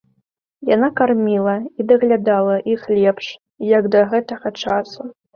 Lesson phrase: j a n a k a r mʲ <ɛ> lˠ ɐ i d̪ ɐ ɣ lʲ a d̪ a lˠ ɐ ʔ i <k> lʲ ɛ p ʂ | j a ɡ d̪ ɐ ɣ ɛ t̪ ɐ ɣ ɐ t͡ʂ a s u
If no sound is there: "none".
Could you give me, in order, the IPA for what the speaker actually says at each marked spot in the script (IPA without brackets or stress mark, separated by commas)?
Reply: i, x